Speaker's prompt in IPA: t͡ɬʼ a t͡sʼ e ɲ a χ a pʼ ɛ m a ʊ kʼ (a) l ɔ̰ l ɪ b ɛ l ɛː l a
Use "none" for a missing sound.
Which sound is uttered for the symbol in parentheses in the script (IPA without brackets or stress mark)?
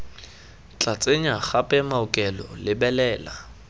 ɛ